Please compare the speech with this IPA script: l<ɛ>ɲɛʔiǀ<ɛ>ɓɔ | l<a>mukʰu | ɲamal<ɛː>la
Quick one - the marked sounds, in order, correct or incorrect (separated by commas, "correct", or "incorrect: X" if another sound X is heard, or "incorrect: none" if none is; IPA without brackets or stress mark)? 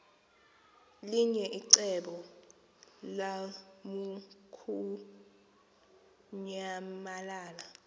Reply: incorrect: i, correct, correct, incorrect: aː